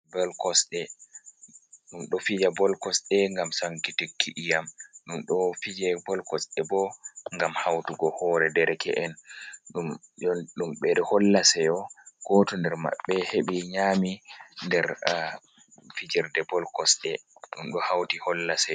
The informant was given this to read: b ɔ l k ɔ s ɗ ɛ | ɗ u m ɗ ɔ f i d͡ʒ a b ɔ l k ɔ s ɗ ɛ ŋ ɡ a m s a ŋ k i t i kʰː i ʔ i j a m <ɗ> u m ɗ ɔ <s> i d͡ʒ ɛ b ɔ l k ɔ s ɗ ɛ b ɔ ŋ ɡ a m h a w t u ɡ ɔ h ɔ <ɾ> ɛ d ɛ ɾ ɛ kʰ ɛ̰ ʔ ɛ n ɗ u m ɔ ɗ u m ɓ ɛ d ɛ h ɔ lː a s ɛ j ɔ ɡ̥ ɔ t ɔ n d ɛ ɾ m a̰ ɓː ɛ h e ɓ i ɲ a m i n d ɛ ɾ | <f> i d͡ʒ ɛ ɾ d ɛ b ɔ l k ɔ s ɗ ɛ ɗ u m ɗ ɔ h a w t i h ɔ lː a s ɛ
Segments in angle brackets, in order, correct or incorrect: correct, incorrect: f, correct, correct

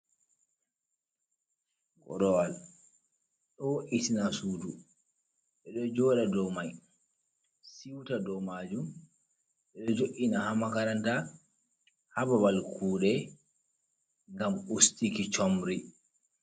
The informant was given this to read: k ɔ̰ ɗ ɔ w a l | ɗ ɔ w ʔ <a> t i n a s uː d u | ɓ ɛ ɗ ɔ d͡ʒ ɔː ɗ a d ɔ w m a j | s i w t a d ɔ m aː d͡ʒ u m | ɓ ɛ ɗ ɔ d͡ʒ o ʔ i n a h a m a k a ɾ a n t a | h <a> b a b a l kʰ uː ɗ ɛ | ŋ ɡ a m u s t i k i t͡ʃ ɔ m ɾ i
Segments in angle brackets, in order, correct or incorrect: incorrect: i, correct

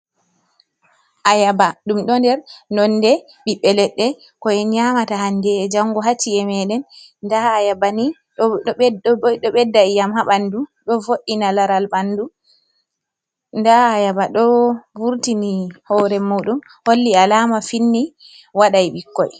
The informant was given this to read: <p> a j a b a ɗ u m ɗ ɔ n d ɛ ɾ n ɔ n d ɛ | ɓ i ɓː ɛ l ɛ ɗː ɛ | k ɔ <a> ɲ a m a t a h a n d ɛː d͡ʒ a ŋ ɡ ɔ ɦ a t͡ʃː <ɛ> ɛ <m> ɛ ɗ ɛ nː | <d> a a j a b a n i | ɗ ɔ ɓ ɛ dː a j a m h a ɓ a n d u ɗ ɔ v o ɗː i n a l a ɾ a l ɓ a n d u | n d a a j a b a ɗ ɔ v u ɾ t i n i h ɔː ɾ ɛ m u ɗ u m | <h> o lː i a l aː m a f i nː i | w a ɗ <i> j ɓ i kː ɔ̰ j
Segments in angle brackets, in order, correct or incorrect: incorrect: ʔ, incorrect: ɛ, incorrect: i, correct, correct, correct, incorrect: a

